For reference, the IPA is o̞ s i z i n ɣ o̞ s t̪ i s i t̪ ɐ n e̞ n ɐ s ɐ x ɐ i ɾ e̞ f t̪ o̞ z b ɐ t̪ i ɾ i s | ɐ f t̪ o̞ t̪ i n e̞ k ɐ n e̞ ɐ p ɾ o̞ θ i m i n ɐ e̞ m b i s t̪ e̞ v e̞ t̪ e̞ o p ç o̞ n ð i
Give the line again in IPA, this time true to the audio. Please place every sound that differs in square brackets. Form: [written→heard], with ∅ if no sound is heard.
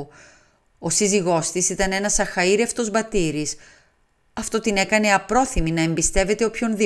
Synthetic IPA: o̞ s i z i [n→∅] ɣ o̞ s t̪ i s i t̪ ɐ n e̞ n ɐ s ɐ x ɐ i ɾ e̞ f t̪ o̞ z b ɐ t̪ i ɾ i s | ɐ f t̪ o̞ t̪ i n e̞ k ɐ n e̞ ɐ p ɾ o̞ θ i m i n ɐ e̞ m b i s t̪ e̞ v e̞ t̪ e̞ o p ç o̞ n ð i